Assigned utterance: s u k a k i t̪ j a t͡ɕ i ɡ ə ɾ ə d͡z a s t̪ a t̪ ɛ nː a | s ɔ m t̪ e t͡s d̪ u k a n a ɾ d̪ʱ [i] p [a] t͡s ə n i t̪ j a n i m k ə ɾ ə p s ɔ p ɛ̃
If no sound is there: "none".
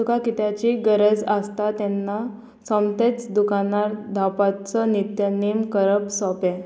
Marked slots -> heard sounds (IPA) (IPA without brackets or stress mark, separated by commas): a, a